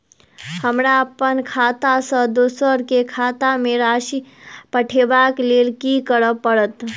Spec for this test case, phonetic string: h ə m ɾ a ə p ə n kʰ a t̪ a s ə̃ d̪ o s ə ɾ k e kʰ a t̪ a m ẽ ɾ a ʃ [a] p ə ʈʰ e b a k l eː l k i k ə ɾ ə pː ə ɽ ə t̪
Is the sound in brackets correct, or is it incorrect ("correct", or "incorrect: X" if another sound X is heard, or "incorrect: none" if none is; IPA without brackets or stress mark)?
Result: incorrect: i